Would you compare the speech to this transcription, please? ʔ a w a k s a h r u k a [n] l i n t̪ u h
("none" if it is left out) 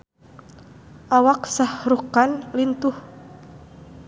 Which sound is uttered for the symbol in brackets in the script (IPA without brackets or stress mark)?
n